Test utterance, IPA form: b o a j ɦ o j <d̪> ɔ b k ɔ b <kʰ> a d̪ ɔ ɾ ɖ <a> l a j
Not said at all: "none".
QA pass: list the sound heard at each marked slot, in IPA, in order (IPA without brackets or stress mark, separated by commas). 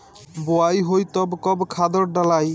t̪, kʰ, a